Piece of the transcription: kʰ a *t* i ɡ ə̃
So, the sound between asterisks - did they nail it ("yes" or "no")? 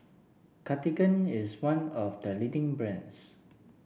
yes